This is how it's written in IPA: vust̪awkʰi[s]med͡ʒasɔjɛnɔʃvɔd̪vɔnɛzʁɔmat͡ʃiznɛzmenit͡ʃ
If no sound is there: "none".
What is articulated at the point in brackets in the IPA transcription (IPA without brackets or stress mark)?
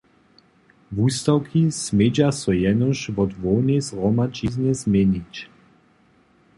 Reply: s